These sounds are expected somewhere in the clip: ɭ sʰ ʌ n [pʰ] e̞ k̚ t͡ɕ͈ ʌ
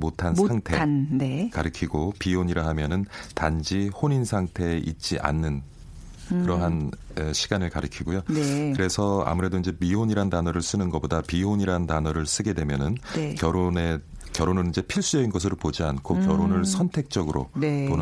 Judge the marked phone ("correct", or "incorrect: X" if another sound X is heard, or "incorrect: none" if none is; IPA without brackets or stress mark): incorrect: tʰ